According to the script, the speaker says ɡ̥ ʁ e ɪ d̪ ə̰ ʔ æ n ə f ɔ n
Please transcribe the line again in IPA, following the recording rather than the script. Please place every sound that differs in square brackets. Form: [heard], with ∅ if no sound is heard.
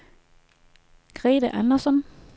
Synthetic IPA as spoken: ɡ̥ ʁ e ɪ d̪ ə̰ ʔ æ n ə [s] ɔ n